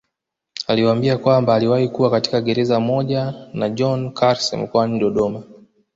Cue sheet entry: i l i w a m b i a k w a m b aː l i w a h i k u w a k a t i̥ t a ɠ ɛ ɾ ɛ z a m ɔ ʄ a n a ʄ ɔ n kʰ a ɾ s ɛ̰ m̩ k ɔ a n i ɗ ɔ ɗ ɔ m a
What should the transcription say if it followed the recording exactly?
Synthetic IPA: a l i w a m b i a k w a m b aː l i w a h i k u w a k a t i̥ k a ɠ ɛ ɾ ɛ z a m ɔ ʄ a n a ʄ ɔ n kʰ a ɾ s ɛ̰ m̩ k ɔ a n i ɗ ɔ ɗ ɔ m a